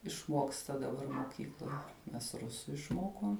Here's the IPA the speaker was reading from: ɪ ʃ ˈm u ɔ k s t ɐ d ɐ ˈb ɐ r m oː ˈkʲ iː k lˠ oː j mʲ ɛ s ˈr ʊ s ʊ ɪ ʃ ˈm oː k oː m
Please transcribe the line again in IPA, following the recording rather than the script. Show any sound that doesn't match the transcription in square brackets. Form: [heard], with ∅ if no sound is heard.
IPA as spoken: ɪ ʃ ˈm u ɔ k s t ɐ d ɐ ˈb ɐ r m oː ˈkʲ iː k lˠ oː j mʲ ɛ s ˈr ʊ s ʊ ɪ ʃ ˈm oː k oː m